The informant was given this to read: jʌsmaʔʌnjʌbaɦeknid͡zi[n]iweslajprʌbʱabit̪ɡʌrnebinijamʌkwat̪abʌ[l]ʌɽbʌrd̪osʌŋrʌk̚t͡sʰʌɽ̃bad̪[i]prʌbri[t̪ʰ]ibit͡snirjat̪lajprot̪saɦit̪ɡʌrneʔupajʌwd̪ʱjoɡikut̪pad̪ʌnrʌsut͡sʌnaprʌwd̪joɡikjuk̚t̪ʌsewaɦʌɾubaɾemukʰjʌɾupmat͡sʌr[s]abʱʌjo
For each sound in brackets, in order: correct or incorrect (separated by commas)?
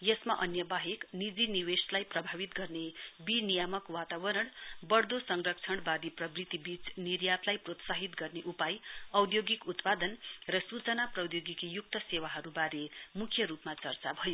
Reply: correct, incorrect, correct, incorrect, incorrect